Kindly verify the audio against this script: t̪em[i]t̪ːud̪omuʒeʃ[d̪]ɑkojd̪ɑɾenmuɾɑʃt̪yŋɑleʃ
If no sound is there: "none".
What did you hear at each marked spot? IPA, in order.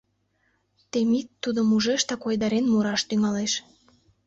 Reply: i, t̪

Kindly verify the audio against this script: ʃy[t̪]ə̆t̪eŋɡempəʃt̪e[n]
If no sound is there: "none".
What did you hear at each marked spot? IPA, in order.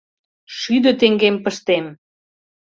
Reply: d̪, m

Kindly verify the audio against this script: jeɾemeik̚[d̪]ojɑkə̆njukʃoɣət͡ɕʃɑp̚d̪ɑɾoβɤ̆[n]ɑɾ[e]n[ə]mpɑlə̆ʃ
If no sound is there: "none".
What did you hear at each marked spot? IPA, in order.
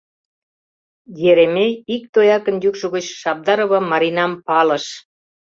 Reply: t̪, m, i, ɑ

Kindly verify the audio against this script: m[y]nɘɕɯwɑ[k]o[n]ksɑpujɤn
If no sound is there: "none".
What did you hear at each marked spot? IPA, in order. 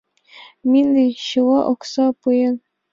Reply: i, ʔ, none

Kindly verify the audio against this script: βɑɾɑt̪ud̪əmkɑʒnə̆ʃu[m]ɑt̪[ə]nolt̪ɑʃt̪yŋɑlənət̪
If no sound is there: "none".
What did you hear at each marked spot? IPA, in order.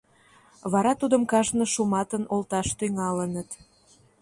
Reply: m, ə

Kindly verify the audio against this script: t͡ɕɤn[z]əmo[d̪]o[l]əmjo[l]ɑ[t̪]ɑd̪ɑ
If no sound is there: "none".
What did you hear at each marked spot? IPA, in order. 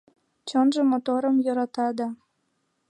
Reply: ʒ, t̪, ɾ, ɾ, t̪

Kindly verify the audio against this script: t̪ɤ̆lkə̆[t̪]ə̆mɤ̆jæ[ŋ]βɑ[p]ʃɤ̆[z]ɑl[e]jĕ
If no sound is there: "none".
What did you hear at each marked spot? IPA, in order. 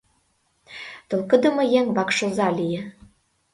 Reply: d̪, ŋ, k, z, i

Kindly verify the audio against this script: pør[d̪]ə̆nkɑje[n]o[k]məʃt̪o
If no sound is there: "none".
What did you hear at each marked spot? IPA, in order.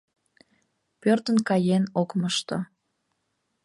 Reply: t̪, n, k

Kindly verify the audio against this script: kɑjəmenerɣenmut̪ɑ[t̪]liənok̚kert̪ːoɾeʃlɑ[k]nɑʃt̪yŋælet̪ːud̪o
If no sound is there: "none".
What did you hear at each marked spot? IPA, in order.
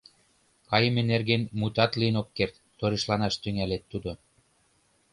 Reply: t̪, none

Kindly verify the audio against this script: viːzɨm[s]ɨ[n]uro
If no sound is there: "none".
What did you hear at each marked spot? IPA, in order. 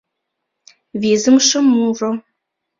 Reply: ʂ, m

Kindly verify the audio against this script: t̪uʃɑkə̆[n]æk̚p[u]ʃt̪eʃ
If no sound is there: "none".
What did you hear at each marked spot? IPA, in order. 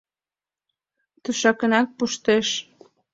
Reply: n, u

